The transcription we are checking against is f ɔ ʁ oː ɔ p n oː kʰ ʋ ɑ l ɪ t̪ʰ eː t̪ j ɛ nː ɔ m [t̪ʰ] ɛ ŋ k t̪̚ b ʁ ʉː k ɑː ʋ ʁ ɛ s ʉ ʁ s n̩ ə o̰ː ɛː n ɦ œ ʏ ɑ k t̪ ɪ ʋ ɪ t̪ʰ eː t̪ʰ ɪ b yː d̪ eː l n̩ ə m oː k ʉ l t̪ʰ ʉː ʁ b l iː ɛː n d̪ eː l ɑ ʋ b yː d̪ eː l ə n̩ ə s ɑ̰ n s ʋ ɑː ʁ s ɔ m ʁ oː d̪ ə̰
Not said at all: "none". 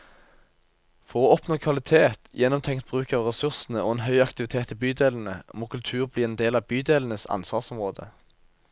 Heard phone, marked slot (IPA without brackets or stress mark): t̪ʰ